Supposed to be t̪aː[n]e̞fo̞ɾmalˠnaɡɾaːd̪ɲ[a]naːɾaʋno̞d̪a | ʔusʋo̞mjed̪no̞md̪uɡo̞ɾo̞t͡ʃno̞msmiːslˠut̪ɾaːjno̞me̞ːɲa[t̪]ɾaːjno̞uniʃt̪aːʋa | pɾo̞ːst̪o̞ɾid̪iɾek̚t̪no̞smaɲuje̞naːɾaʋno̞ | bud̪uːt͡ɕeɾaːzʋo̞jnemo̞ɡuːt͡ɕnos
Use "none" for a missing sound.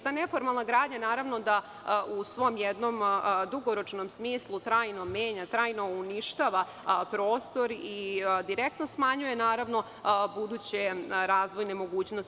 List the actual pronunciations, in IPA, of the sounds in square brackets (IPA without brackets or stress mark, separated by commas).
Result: n, a, t̪